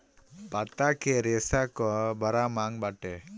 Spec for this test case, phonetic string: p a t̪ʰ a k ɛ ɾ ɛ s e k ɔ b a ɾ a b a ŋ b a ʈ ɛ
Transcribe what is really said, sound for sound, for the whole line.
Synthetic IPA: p a t̪ a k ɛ ɾ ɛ s a k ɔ b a ɾ a m a ŋ b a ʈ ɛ